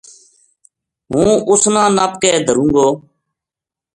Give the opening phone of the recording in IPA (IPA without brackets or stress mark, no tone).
ɦ